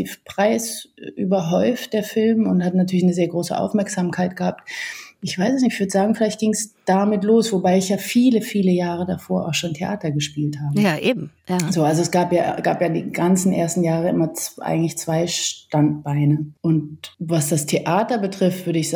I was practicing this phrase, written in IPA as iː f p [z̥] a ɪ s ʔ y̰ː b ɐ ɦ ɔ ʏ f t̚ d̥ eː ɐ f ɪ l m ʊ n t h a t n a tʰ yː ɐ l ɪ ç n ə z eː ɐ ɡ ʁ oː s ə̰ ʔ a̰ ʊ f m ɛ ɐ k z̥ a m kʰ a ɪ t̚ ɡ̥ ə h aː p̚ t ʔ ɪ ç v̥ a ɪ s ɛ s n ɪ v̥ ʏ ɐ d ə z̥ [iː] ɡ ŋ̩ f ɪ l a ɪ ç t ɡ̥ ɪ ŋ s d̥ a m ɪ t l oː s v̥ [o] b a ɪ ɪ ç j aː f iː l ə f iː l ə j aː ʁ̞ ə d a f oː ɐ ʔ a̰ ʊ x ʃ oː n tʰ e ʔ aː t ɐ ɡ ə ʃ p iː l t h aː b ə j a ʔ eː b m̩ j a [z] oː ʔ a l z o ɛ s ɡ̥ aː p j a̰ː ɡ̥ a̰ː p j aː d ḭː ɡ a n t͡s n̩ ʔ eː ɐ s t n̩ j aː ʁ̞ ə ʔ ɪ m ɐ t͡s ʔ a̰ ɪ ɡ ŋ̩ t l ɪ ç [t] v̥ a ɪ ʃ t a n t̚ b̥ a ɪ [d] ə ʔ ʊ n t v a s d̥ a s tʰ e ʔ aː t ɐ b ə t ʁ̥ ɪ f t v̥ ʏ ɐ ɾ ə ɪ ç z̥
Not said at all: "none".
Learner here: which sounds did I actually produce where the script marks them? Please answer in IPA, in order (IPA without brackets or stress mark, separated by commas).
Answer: ʁ̥, aː, o, z, t͡s, n